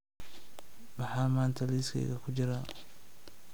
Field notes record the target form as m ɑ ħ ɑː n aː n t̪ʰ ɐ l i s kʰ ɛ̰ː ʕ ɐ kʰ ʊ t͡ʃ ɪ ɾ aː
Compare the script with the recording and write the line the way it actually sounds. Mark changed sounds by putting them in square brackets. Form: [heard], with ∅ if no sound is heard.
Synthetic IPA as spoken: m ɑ ħ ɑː [m] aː n t̪ʰ ɐ l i s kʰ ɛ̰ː [ɣ] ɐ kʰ ʊ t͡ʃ ɪ ɾ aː